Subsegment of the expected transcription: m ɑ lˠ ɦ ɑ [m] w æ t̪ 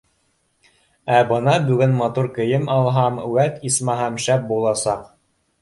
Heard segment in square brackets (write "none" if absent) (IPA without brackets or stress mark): m